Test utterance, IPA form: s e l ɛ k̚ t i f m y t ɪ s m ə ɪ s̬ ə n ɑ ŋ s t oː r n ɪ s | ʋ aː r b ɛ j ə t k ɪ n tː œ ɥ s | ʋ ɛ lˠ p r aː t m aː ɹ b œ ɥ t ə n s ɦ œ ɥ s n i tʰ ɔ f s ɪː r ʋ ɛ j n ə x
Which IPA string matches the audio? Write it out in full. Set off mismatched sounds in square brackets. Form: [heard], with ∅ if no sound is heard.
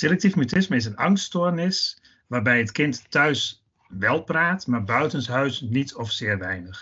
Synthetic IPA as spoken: s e l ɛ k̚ t i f m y t ɪ s m ə ɪ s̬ ə n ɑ ŋ s t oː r n ɪ s | ʋ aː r b ɛ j ə t k ɪ n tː œ ɥ s | ʋ ɛ lˠ p r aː t m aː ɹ b œ ɥ t ə n s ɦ œ ɥ s n i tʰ ɔ f s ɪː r ʋ ɛ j n ə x